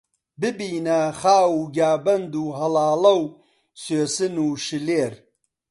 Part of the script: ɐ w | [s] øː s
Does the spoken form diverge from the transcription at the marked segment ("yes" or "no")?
no